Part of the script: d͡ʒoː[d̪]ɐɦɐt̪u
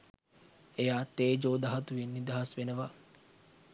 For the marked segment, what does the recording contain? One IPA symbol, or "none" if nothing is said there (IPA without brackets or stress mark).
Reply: d̪